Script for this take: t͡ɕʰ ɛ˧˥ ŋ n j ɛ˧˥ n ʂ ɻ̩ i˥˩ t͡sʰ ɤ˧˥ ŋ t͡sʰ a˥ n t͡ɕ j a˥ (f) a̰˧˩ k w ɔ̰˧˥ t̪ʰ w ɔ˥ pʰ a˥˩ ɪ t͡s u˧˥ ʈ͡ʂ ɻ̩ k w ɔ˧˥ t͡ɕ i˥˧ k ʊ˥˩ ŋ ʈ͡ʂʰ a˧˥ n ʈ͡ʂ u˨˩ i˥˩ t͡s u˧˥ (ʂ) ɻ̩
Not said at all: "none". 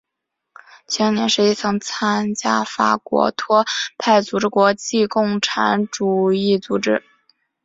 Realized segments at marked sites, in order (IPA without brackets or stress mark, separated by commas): f, ʈ͡ʂ